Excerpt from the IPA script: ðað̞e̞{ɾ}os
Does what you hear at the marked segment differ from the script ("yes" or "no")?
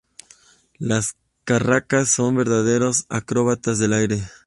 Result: no